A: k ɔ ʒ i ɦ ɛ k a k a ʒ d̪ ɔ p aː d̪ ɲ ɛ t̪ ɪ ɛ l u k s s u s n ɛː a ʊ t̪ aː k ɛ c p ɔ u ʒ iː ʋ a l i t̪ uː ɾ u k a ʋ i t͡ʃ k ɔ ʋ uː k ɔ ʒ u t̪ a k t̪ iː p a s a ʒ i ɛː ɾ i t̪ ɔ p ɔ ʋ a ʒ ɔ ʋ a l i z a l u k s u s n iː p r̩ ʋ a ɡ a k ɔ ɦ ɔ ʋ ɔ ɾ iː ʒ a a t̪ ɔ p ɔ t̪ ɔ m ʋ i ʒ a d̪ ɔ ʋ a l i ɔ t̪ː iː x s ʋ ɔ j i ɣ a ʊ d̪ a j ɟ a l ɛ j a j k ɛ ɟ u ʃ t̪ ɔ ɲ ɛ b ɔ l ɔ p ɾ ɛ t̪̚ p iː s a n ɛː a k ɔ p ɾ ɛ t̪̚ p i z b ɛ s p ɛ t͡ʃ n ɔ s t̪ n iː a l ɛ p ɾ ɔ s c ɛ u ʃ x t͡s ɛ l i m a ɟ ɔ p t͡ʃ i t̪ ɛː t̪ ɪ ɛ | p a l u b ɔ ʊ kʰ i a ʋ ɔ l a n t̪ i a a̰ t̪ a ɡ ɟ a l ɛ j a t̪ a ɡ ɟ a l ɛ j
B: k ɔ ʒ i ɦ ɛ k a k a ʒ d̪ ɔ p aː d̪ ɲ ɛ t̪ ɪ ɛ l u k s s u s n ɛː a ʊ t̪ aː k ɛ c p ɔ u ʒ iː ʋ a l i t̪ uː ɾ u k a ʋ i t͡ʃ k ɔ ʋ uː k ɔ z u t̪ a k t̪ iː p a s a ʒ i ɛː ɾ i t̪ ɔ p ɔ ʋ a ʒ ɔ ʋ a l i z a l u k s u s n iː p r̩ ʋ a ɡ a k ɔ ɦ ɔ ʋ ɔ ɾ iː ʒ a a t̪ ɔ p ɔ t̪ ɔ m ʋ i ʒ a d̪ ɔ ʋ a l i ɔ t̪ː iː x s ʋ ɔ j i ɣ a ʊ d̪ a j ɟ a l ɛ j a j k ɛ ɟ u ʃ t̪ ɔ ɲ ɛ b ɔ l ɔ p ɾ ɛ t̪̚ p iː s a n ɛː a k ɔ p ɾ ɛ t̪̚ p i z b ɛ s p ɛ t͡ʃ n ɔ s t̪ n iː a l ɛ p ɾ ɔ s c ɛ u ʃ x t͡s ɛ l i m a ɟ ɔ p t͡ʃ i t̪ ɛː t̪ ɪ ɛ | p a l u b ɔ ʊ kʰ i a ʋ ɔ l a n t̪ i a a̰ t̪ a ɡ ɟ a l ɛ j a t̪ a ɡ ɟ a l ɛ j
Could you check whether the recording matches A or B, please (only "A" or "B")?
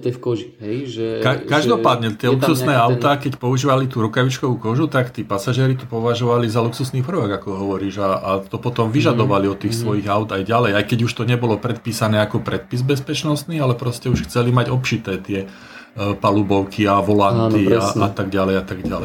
A